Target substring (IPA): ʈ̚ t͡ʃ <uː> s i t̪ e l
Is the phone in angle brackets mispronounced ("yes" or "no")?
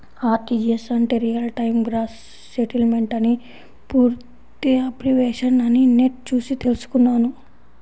no